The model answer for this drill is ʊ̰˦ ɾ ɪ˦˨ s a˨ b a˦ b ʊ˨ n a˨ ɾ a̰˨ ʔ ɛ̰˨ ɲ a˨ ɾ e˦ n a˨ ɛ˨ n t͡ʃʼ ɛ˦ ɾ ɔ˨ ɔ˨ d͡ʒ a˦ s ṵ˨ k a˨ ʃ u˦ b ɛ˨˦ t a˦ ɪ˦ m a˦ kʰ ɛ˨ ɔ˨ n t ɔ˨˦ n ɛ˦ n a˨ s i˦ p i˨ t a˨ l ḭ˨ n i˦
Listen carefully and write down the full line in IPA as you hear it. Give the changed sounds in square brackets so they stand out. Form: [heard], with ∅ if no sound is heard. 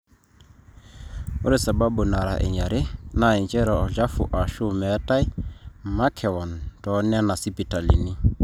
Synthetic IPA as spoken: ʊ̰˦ ɾ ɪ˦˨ s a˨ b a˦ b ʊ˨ n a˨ ɾ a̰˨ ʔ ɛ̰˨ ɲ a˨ ɾ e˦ n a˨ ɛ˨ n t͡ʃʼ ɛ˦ ɾ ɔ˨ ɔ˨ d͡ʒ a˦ [f] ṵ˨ [ʔ] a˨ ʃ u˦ [m] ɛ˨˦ t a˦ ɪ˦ m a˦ kʰ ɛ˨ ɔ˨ n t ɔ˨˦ n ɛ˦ n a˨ s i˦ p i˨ t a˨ l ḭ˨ n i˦